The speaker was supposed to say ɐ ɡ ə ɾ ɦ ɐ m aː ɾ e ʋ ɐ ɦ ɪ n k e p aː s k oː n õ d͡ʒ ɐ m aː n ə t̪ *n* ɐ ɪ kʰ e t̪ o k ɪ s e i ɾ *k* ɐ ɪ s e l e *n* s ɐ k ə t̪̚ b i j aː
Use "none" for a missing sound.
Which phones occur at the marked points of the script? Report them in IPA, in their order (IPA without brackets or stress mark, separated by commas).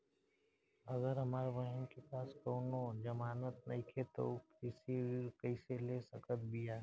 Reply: n, k, none